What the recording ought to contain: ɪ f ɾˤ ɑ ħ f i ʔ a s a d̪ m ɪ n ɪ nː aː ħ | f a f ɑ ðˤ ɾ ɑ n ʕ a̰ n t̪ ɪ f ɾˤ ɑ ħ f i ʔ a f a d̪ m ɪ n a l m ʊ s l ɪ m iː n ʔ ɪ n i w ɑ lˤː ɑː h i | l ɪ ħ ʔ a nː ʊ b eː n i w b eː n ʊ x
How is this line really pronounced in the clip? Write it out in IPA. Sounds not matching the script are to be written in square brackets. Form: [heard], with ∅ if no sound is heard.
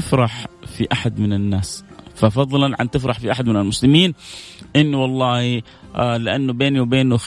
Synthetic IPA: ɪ f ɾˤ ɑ ħ f i ʔ a [ħ] a d̪ m ɪ n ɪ nː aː [s] | f a f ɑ ðˤ [l] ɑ n ʕ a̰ n t̪ ɪ f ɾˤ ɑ ħ f i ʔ a [ħ] a d̪ m ɪ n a l m ʊ s l ɪ m iː n ʔ ɪ [nː] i w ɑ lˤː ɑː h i | l ɪ [∅] ʔ a nː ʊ b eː n i w b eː n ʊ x